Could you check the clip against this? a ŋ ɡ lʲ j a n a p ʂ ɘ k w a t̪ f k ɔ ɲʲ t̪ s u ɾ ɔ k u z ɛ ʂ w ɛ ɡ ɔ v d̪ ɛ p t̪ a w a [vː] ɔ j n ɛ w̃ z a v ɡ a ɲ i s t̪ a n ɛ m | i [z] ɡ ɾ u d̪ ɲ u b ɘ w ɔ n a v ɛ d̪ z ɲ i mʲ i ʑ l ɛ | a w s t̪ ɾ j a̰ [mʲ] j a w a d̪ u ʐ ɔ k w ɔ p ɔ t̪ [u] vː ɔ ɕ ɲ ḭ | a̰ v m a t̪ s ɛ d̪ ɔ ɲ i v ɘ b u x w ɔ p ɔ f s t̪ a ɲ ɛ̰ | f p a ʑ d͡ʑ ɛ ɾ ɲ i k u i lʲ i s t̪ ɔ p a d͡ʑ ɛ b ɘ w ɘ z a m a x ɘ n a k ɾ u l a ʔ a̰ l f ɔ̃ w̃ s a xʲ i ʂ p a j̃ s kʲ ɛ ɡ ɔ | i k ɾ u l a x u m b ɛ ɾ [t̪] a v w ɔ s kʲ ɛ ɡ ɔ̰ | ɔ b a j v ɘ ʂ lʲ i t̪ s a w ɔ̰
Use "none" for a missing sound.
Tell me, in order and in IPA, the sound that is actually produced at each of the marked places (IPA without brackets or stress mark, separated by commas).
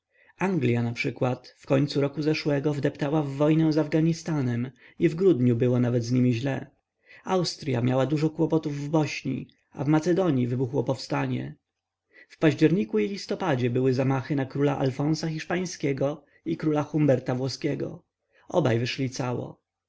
vː, v, mʲ, u, t̪